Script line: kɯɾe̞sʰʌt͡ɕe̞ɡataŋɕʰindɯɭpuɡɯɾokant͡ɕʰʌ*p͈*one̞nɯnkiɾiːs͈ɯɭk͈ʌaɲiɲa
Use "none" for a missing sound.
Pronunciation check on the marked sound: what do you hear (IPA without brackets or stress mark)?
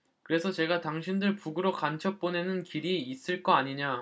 p͈